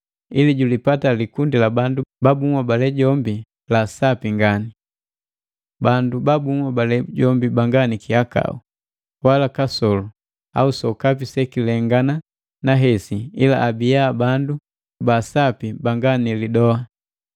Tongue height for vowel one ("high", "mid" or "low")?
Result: high